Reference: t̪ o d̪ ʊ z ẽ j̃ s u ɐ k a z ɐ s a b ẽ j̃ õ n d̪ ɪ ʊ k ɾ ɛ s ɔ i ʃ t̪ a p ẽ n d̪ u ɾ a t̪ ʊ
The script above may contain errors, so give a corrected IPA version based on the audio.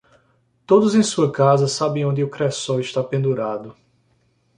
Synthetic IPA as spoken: t̪ o d̪ ʊ z ẽ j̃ s u ɐ k a z ɐ s a b ẽ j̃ õ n d̪ ɪ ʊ k ɾ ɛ s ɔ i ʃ t̪ a p ẽ n d̪ u ɾ a d̪ ʊ